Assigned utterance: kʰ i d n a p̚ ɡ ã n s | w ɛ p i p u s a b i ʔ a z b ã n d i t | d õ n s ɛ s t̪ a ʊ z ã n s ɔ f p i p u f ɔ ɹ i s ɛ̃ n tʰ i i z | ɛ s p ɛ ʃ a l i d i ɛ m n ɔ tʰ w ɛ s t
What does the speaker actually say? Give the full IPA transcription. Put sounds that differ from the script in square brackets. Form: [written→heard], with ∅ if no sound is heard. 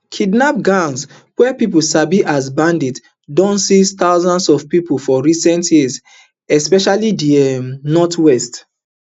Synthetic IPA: kʰ i d n a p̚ ɡ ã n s | w ɛ p i p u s a b i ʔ a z b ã n d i t | d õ n s [ɛ→i] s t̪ a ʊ z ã n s ɔ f p i p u f ɔ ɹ i s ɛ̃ n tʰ [i→j] i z | ɛ s p ɛ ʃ a l i d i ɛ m n ɔ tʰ w ɛ s t

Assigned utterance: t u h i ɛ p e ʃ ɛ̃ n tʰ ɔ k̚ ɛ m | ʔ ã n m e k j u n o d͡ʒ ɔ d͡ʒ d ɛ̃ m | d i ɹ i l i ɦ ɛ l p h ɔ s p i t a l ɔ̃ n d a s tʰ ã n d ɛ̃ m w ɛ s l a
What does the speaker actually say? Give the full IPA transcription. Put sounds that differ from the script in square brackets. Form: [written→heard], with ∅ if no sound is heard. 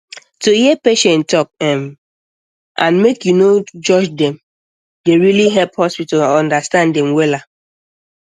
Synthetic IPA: t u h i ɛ p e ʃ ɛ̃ n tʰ ɔ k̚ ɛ m | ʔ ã n m e k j u n o d͡ʒ ɔ d͡ʒ d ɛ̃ m | d [i→e] ɹ i l i ɦ ɛ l p h ɔ s p i t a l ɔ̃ n d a s [tʰ→t] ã n d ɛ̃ m w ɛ [s→∅] l a

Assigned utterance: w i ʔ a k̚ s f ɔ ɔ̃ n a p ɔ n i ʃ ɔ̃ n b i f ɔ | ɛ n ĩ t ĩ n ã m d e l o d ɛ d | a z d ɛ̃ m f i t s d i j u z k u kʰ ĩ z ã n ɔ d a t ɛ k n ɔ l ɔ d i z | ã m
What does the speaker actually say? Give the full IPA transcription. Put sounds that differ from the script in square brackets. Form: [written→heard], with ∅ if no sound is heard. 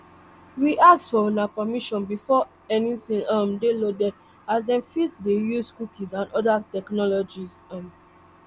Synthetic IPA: w i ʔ a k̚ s f ɔ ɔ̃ n a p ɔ [n→m] i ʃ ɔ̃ n b i f ɔ | ɛ n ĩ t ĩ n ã m d e l o d ɛ d | a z d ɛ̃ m f i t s d [i→e] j u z k u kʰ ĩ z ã n ɔ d a t ɛ k n ɔ l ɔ [d→d͡ʒ] i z | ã m

